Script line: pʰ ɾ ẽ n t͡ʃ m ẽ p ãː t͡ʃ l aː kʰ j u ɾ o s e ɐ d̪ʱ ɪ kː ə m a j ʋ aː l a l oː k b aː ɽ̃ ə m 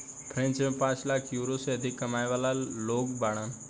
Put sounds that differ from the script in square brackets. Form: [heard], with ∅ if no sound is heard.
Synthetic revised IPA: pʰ ɾ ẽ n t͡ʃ m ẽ p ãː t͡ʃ l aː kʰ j u ɾ o s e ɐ d̪ʱ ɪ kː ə m a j ʋ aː l a l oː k b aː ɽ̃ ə [n]